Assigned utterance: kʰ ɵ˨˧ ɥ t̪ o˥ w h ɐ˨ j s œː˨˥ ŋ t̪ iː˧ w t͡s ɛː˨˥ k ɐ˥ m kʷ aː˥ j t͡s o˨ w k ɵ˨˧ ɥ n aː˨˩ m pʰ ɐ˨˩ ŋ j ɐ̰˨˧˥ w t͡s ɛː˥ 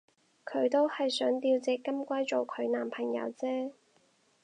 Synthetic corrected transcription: kʰ ɵ˨˧ ɥ t̪ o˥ w h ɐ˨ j s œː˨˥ ŋ t̪ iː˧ w t͡s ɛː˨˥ k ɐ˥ m kʷ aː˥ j t͡s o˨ w kʰ ɵ˨˧ ɥ n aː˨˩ m pʰ ɐ˨˩ ŋ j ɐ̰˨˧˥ w t͡s ɛː˥

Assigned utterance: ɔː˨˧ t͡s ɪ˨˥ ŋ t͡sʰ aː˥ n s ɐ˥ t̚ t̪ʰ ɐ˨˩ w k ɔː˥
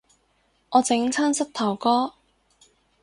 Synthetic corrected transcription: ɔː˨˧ t͡s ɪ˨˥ ŋ t͡sʰ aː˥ n s ɐ˥ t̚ t̪ʰ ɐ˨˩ w k ɔː˥

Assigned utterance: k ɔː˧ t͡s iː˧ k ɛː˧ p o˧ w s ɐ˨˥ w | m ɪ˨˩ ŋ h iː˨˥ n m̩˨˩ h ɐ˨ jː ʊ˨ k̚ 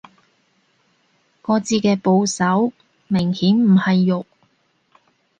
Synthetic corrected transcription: k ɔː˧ t͡s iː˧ k ɛː˧ p o˧ w s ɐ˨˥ w | m ɪ˨˩ ŋ h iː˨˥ n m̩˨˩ h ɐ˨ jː ʊ˨ k̚

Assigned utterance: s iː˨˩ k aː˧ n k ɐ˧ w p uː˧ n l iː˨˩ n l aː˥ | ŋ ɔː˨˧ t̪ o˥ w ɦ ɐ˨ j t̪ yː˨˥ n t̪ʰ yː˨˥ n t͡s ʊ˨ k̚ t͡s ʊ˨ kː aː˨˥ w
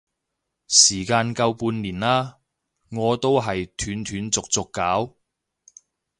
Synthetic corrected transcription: s iː˨˩ k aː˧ n k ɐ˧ w p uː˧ n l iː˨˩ n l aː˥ | ŋ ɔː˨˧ t̪ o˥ w ɦ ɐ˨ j t̪ʰ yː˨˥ n t̪ʰ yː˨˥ n t͡s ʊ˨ k̚ t͡s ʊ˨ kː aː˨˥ w

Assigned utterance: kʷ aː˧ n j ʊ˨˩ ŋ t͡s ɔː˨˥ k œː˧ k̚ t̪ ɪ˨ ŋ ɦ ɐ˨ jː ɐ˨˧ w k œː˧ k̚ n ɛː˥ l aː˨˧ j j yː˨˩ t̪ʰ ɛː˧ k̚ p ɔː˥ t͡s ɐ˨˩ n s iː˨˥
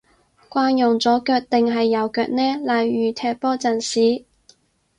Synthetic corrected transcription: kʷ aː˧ n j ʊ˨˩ ŋ t͡s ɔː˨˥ k œː˧ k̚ t̪ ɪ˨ ŋ ɦ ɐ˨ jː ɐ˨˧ w k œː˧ k̚ n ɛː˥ l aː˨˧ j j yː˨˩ t̪ʰ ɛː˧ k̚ p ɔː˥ t͡s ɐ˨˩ n s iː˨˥

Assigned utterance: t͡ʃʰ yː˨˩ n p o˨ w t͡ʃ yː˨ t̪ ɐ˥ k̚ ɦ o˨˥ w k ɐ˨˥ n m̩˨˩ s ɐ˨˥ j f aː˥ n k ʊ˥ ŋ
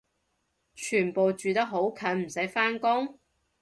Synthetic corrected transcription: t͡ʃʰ yː˨˩ n p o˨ w t͡ʃ yː˨ t̪ ɐ˥ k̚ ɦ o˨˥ w kʰ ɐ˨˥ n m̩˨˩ s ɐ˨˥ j f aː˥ n k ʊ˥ ŋ

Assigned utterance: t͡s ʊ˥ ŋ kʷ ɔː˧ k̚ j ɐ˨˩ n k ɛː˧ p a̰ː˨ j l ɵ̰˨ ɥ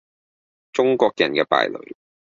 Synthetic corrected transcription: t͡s ʊ˥ ŋ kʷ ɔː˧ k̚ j ɐ˨˩ n k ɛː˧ p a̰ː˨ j l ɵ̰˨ ɥ

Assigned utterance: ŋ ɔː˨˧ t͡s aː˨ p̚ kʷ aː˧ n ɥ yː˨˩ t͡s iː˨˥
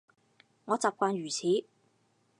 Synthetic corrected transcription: ŋ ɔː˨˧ t͡s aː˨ p̚ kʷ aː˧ n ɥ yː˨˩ t͡sʰ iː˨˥

